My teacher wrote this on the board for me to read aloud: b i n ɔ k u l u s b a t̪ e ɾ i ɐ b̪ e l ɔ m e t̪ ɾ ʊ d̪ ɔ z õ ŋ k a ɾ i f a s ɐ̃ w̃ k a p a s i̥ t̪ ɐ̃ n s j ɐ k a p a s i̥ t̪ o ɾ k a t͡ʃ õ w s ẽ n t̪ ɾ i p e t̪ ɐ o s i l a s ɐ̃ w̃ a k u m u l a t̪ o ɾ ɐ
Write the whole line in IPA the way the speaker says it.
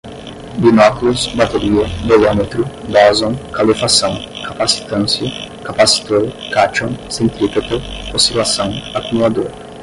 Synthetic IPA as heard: b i n ɔ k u l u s b a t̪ e ɾ i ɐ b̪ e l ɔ m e t̪ ɾ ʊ d̪ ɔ z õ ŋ k a l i f a s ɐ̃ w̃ k a p a s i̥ t̪ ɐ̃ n s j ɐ k a p a s i̥ t̪ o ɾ k a t͡ʃ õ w s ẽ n t̪ ɾ i p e t̪ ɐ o s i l a s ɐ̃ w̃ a k u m u l a d̪ o ɾ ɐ